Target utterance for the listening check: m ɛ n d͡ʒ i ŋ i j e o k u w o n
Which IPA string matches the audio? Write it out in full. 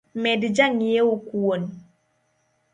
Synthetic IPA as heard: m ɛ d d͡ʒ a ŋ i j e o k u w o n